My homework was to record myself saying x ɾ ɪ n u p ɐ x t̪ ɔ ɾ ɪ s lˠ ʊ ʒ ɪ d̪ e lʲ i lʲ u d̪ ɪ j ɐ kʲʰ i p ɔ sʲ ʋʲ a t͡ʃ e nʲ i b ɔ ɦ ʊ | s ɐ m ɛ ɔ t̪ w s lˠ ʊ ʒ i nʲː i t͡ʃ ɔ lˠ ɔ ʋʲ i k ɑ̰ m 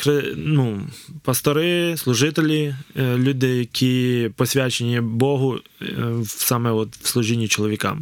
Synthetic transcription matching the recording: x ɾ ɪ n u p ɐ s t̪ ɔ ɾ ɪ s lˠ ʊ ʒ ɪ t̪ e lʲ i lʲ u d̪ ɪ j ɐ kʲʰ i p ɔ sʲ ʋʲ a t͡ʃ e nʲ i b ɔ ɦ ʊ | s ɑ m ɛ ɔ t̪ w s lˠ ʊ ʒ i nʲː i t͡ʃ ɔ lˠ ɔ ʋʲ i k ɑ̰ m